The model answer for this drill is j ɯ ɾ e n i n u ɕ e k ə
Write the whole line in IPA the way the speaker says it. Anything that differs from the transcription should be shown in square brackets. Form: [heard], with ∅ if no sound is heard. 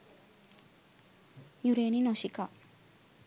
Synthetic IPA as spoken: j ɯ ɾ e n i n [o] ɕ [i] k [a]